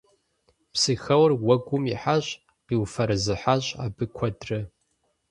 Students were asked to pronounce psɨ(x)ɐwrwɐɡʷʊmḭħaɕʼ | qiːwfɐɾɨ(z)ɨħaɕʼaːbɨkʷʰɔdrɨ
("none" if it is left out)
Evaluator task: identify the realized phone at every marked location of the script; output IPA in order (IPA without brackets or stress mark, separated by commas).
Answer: x, z